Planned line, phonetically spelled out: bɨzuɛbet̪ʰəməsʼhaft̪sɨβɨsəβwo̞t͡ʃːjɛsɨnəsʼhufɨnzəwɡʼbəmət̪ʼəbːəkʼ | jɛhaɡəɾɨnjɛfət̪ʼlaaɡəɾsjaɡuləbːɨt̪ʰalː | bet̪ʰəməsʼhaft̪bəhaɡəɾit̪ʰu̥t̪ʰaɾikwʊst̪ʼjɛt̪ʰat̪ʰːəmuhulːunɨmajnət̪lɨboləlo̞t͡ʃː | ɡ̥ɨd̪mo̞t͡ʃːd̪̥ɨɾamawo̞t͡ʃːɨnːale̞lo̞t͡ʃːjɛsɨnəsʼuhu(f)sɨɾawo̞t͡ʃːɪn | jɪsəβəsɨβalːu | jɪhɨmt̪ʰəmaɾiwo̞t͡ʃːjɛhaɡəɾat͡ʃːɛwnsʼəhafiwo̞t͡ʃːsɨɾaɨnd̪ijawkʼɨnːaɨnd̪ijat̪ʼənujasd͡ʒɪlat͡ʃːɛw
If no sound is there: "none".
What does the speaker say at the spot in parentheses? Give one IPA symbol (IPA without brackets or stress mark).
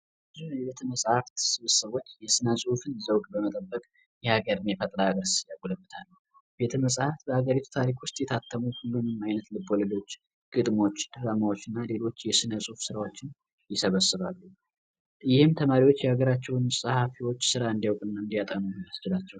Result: f